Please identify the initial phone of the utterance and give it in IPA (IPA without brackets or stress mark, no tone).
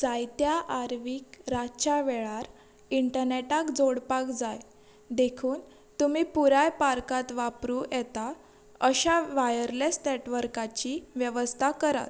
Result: d͡z